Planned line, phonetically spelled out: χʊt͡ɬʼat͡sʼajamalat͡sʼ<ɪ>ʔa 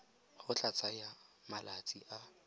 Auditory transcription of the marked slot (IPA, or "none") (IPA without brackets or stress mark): i